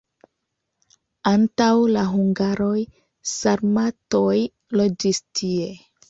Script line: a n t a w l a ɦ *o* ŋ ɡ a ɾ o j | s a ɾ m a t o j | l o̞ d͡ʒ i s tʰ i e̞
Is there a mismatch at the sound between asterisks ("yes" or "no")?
yes